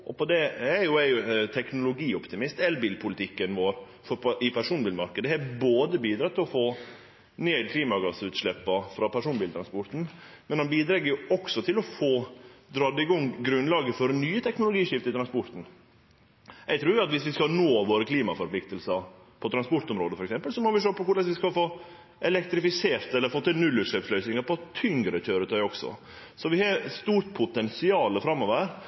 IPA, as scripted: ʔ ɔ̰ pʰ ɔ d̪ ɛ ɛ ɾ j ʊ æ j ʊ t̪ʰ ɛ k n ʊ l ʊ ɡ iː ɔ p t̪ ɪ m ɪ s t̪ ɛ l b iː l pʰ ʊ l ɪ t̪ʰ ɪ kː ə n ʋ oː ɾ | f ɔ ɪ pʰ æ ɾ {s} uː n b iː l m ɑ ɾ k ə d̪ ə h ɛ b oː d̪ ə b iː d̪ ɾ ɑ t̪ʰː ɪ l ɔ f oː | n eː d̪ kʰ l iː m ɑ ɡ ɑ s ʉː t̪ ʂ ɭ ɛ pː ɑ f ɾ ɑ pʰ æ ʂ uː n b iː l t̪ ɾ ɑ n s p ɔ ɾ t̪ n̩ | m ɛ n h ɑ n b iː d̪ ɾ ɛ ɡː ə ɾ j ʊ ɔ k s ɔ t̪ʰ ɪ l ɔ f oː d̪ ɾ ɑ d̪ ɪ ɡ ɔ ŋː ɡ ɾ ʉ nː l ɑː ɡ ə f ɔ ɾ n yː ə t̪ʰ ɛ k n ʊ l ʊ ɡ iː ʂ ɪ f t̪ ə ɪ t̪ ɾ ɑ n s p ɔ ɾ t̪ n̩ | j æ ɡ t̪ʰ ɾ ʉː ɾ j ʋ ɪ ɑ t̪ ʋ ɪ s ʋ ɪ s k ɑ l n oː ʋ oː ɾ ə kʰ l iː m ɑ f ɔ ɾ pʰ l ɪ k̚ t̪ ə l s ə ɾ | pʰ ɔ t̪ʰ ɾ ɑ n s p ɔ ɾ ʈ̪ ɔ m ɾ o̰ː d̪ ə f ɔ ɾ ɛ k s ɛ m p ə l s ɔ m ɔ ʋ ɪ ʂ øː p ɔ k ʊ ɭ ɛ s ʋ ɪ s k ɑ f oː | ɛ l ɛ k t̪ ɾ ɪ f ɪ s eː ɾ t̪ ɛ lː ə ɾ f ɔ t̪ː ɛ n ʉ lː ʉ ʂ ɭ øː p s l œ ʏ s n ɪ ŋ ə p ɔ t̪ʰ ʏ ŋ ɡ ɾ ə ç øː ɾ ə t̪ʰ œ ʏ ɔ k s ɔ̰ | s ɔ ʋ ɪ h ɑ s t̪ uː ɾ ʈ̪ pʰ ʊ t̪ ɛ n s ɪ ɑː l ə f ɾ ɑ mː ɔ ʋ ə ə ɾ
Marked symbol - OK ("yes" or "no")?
no